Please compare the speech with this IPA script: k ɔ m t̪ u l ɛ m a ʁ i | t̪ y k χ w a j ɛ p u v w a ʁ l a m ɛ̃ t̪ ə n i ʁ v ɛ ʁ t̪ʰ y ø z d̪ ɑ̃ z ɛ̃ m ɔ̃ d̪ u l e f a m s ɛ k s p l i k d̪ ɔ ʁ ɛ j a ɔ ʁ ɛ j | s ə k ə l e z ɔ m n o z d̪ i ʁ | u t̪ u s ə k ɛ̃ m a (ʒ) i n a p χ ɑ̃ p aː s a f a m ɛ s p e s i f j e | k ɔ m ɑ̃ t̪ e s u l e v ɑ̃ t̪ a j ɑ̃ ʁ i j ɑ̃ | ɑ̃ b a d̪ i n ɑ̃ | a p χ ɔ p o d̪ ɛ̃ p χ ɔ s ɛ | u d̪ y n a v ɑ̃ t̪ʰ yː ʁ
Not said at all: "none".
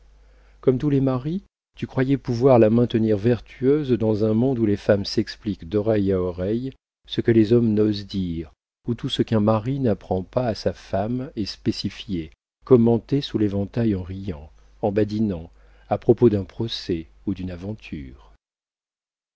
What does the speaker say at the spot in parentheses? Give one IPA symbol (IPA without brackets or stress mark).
ʁ